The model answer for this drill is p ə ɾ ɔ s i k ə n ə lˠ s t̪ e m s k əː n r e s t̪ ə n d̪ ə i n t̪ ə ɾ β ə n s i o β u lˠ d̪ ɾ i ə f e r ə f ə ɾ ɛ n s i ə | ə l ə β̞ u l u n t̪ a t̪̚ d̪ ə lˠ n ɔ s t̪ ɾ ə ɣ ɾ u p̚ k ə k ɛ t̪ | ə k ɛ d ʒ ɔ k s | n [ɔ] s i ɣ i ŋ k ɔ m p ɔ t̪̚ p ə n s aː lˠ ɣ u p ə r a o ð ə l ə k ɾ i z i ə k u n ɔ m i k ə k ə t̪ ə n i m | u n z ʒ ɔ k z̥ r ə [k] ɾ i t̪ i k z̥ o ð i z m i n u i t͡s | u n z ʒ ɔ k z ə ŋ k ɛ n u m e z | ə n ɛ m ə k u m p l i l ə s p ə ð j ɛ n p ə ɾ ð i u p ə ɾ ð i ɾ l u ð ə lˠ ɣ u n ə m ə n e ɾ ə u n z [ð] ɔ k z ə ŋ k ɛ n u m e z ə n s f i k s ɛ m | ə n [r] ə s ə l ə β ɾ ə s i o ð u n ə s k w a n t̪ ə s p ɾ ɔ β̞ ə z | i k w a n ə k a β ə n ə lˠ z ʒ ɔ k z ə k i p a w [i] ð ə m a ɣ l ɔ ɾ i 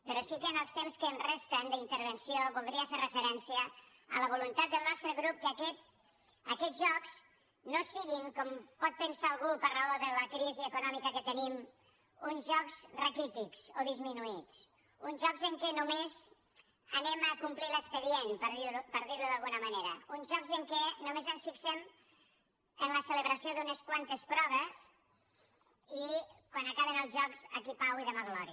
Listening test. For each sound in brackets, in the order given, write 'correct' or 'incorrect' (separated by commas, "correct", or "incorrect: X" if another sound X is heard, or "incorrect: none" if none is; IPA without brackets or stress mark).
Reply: incorrect: o, correct, incorrect: ʒ, incorrect: l, correct